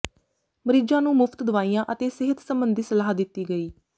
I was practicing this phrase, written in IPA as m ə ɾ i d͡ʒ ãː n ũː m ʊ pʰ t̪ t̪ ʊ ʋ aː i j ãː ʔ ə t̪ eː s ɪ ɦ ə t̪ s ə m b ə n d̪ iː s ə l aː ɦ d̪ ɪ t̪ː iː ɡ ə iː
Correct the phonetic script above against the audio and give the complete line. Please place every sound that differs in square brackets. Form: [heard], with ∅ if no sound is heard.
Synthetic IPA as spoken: m ə ɾ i d͡ʒ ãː n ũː m ʊ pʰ t̪ [d̪] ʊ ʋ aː i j ãː ʔ ə t̪ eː s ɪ ɦ ə t̪ s ə m b ə n d̪ iː s ə l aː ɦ d̪ ɪ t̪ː iː ɡ ə iː